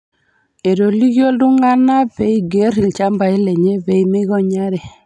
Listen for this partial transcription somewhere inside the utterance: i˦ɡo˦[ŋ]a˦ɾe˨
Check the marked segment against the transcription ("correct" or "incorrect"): incorrect